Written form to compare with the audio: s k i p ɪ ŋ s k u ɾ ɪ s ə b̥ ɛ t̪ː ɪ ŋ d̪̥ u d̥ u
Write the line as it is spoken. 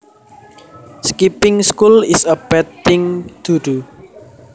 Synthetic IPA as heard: s k i p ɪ ŋ s k u l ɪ s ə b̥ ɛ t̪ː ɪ ŋ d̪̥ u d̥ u